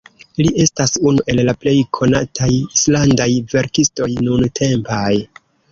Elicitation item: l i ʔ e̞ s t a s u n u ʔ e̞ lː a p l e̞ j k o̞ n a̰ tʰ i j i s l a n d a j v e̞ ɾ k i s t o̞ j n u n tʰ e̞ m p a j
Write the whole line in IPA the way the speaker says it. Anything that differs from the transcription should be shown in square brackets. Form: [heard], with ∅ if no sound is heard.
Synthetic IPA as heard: l i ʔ e̞ s t a s u n u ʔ e̞ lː a p l e̞ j [kʰ] o̞ n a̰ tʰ [a] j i s l a n d a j v e̞ ɾ k i s t o̞ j n u n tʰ e̞ m p a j